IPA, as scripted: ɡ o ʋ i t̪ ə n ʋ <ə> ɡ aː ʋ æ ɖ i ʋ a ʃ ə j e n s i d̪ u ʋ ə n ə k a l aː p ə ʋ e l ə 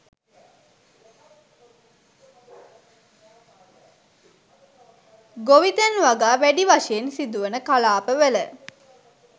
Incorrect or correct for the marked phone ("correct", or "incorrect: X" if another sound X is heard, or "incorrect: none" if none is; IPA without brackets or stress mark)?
incorrect: a